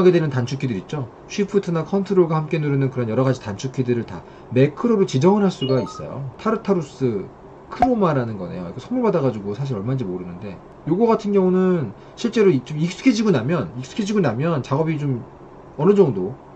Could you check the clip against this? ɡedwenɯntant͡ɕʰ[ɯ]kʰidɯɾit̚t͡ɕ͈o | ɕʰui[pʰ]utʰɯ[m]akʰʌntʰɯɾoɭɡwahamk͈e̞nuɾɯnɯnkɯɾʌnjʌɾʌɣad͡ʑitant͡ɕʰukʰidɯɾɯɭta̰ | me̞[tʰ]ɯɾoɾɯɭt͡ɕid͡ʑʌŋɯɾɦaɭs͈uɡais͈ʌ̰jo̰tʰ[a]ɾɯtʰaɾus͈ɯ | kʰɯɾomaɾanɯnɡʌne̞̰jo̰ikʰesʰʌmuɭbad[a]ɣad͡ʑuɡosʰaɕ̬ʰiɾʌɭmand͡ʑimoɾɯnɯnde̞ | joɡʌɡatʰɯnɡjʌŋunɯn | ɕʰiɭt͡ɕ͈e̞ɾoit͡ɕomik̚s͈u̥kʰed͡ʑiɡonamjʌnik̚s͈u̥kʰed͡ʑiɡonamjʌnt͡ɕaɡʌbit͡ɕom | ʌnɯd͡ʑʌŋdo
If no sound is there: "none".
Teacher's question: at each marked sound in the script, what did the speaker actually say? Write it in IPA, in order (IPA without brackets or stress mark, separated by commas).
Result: u, pʰ, n, kʰ, a, a